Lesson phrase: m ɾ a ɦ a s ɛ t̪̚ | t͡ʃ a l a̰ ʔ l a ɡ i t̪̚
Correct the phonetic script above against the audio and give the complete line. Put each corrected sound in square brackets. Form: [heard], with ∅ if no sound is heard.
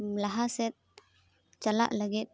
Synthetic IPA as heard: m [l] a ɦ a s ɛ t̪̚ | t͡ʃ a l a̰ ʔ l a ɡ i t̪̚